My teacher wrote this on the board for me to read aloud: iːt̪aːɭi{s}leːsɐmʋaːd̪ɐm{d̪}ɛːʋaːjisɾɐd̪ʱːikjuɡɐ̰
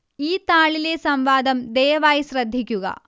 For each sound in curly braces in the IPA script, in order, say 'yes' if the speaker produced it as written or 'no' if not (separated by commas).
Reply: no, yes